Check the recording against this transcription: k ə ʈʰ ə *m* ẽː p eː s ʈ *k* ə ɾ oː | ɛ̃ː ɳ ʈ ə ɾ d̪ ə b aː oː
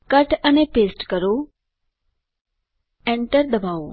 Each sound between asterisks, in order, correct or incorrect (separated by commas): incorrect, correct